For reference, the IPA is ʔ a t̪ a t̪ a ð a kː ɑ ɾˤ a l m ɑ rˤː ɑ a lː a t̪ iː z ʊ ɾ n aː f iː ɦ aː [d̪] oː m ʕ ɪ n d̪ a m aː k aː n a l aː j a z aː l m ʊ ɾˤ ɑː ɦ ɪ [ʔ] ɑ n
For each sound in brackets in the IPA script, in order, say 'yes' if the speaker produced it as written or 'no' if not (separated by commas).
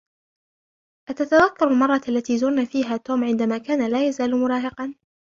no, no